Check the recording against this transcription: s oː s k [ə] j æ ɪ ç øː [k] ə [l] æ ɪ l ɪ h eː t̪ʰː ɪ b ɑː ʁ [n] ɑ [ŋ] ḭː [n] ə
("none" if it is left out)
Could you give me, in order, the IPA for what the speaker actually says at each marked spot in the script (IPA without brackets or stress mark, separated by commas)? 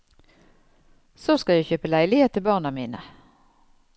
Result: ɑ, p, l, n, m, n